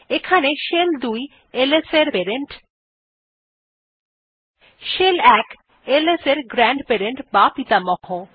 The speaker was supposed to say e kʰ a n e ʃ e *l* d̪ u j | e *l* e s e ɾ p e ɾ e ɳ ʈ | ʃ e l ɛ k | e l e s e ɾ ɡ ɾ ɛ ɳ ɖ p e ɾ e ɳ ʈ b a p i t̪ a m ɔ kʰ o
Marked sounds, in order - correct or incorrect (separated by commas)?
correct, correct